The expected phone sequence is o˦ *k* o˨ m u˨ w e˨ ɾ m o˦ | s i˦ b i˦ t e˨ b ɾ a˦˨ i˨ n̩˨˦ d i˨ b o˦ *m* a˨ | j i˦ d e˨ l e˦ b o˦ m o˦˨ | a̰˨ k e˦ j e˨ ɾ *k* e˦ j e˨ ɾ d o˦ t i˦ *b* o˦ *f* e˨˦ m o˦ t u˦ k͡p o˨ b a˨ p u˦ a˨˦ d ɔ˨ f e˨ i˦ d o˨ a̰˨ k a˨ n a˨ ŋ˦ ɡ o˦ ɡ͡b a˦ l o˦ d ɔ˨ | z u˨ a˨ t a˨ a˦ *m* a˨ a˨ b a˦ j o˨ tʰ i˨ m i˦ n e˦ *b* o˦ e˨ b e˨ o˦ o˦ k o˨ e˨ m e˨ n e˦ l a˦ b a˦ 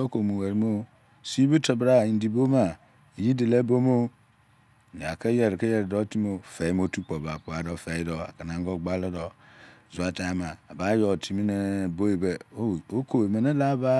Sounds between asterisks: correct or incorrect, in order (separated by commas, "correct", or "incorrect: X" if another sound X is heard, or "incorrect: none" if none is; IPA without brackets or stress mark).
correct, correct, correct, incorrect: m, correct, correct, correct